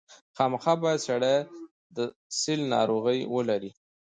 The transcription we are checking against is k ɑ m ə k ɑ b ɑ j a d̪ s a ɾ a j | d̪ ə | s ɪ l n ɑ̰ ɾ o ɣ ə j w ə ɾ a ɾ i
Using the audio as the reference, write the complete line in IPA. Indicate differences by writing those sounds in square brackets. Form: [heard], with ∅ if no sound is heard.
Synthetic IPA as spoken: [x] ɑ m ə [x] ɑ b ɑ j a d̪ s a [ɽ] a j | d̪ ə | s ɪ l n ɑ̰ ɾ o ɣ ə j w ə [l] a ɾ i